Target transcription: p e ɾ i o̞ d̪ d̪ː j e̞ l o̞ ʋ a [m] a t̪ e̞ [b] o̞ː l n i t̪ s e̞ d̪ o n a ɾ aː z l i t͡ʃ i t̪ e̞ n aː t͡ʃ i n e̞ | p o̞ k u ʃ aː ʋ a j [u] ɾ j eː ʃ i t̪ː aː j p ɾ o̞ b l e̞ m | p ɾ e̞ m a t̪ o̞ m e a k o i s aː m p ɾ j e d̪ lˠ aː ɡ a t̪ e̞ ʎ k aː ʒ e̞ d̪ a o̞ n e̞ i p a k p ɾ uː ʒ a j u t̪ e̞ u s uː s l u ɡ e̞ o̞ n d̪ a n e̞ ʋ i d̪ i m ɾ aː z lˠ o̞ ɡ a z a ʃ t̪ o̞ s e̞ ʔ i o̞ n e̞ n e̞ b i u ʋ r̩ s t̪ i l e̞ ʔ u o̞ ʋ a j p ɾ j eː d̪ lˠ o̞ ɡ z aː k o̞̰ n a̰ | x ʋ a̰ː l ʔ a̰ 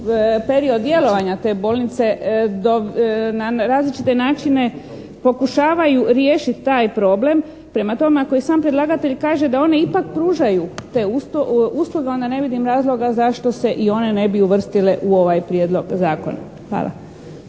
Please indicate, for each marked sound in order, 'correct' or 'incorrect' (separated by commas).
incorrect, correct, correct